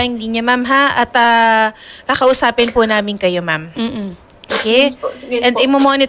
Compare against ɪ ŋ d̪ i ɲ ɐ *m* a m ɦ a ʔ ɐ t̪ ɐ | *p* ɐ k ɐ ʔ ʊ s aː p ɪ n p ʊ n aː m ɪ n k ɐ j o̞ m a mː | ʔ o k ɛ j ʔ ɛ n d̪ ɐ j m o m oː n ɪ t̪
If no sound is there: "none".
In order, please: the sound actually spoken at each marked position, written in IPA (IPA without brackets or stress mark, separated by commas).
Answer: m, k